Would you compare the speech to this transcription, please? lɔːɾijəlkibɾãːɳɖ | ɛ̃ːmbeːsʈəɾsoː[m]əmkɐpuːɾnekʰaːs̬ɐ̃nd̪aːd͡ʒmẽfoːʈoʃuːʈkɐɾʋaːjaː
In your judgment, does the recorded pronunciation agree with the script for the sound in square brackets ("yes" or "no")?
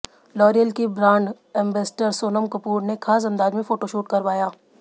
no